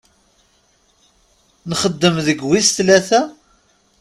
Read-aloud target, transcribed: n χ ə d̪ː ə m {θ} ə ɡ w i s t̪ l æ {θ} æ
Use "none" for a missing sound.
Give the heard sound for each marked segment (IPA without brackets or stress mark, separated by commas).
ð, θ